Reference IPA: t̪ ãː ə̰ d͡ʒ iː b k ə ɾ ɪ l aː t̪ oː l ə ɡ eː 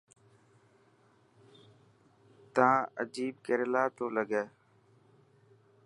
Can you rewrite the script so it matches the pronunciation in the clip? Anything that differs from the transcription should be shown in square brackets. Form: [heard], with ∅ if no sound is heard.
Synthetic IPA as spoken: t̪ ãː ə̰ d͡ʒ iː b k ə ɾ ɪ l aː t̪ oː l ə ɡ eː